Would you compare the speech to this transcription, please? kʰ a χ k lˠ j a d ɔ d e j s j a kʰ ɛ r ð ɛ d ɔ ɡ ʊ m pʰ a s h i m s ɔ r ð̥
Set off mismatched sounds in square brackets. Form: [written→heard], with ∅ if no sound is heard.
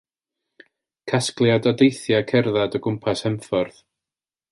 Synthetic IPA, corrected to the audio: kʰ a [χ→s] k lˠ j a d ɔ d e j [s→θ] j a kʰ ɛ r ð [ɛ→a] d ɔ ɡ ʊ m pʰ a s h [i→ɛ] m [s→f] ɔ r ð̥